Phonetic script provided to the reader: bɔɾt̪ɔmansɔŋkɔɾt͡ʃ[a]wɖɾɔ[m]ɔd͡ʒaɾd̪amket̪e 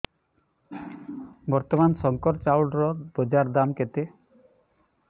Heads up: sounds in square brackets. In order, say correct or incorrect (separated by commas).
correct, incorrect